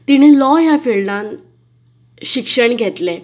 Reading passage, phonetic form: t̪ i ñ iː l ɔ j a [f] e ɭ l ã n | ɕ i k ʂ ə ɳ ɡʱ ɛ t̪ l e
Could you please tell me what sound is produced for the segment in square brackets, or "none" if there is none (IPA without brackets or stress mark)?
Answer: f